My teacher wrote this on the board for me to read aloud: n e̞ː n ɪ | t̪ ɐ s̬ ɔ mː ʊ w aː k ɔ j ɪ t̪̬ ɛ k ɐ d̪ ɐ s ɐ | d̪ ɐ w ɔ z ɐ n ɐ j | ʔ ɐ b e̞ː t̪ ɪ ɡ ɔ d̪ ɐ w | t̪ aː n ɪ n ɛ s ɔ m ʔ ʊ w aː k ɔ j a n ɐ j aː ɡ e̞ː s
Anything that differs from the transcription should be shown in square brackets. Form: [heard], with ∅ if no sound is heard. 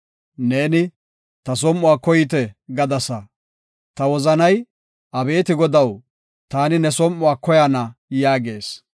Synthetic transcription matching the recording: n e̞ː n ɪ | t̪ ɐ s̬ ɔ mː ʊ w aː k ɔ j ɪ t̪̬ ɛ [ɡ] ɐ d̪ ɐ s ɐ | [t̪] ɐ w ɔ z ɐ n ɐ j | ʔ ɐ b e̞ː t̪ ɪ ɡ ɔ d̪ ɐ w | t̪ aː n ɪ n ɛ s ɔ m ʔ ʊ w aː k ɔ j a n ɐ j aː ɡ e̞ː s